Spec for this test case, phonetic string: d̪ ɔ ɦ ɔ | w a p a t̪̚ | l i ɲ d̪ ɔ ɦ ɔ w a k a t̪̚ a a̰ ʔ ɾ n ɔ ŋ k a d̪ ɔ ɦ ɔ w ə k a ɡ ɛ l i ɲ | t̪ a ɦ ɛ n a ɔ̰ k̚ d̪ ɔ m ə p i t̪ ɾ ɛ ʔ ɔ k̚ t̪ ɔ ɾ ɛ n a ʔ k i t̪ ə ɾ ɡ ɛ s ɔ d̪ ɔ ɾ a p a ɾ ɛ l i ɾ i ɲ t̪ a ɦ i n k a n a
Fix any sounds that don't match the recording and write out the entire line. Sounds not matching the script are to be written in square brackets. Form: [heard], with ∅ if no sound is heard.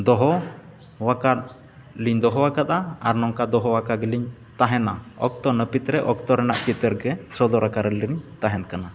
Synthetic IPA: d̪ ɔ ɦ ɔ | w a [k] a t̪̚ | l i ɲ d̪ ɔ ɦ ɔ w a k a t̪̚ a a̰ [∅] ɾ n ɔ ŋ k a d̪ ɔ ɦ ɔ w [a] k a ɡ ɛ l i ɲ | t̪ a ɦ ɛ n a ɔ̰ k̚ [t̪] ɔ [n] ə p i t̪ ɾ ɛ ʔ ɔ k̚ t̪ ɔ ɾ ɛ n a ʔ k i t̪ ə ɾ ɡ ɛ s ɔ d̪ ɔ ɾ a [k] a ɾ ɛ l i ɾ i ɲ t̪ a ɦ [ɛ] n k a n a